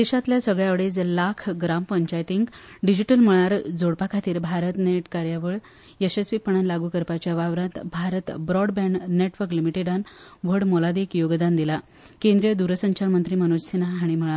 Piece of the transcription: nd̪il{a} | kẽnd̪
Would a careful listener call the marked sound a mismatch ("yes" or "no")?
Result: no